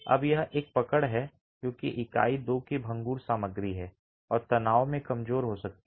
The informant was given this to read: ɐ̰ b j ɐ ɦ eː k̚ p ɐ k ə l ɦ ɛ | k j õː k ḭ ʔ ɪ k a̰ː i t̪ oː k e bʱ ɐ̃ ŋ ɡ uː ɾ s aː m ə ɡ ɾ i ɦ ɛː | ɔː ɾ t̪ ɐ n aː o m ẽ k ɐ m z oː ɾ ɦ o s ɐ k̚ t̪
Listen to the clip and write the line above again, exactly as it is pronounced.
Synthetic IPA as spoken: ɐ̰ b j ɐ ɦ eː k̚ p ɐ k ə ɽ ɦ ɛ | k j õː k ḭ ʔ ɪ k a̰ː i d̪ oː k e bʱ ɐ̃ ŋ ɡ uː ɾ s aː m ə ɡ ɾ i ɦ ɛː | ɔː ɾ t̪ ɐ n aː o m ẽ k ɐ m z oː ɾ ɦ o s ɐ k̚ t̪